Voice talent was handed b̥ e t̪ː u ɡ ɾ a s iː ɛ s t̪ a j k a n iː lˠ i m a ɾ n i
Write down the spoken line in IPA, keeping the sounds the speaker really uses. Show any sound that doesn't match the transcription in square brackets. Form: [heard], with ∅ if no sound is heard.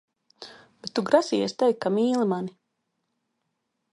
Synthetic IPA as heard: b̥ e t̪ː u ɡ ɾ a s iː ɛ s t̪ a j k a [m] iː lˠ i m a [∅] n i